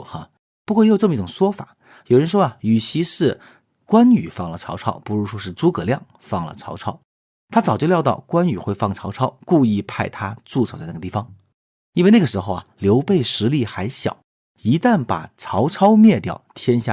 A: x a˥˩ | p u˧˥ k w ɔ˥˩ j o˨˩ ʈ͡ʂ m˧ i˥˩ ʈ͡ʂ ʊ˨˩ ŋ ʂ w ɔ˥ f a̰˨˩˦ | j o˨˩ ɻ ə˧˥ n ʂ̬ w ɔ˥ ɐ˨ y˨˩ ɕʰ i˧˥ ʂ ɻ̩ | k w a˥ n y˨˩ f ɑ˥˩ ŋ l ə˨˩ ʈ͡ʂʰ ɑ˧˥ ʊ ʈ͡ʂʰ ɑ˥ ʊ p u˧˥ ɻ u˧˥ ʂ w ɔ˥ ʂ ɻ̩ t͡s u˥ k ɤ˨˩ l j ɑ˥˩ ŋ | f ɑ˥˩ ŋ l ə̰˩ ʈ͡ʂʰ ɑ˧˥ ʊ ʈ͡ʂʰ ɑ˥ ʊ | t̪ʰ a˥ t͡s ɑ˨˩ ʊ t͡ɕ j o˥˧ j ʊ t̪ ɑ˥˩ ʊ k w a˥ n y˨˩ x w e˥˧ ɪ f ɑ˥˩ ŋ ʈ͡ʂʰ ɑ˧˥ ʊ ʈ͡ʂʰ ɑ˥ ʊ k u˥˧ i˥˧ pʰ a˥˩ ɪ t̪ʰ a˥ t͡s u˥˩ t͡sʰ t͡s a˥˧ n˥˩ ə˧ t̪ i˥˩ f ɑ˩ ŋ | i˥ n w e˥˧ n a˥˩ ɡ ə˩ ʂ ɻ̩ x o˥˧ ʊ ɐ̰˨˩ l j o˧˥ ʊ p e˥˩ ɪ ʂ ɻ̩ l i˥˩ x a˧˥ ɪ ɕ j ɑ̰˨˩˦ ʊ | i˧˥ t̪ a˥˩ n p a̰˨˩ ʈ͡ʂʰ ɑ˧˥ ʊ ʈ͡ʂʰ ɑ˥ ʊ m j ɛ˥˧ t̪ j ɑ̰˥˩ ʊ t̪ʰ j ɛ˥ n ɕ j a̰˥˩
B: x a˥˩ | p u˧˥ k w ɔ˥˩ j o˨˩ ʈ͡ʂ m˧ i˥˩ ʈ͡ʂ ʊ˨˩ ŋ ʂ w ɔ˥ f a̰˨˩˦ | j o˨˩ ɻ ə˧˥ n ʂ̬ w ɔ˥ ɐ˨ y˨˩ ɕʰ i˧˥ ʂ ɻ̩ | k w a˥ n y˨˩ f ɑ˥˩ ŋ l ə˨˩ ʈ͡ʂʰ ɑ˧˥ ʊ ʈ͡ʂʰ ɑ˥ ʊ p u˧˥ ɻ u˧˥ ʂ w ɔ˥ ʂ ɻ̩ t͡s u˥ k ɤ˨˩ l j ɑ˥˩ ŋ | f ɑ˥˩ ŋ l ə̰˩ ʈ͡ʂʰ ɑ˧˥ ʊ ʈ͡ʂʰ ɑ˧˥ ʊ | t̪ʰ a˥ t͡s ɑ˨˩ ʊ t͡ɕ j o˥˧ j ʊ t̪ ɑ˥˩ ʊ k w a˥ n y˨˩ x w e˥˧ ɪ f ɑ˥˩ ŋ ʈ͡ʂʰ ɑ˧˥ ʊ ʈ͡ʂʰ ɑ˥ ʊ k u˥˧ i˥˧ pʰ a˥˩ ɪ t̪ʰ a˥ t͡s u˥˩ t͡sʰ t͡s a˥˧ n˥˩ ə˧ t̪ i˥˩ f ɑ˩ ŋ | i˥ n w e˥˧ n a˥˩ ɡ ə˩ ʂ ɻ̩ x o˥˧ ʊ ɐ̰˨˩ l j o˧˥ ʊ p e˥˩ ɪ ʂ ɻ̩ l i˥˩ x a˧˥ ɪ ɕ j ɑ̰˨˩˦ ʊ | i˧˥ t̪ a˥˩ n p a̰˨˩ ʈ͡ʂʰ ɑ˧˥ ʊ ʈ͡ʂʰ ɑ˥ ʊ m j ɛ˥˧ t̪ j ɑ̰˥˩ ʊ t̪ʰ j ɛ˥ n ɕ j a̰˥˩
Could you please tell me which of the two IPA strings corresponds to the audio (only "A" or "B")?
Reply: A